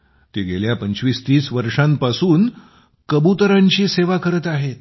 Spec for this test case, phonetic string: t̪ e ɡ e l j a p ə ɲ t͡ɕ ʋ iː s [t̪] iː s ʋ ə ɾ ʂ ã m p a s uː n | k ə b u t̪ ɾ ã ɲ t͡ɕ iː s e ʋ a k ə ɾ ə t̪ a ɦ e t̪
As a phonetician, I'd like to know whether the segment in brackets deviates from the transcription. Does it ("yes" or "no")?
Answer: no